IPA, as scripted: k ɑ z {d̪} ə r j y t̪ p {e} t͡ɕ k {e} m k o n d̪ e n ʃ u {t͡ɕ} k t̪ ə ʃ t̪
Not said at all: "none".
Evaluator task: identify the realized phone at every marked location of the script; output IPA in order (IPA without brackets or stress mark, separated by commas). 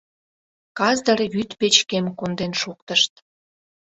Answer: d̪, e, e, none